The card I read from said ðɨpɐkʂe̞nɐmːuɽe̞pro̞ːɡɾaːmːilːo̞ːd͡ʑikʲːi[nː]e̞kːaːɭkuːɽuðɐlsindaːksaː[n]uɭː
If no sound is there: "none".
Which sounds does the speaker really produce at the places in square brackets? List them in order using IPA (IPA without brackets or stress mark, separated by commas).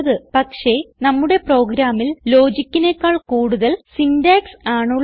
n, ɳ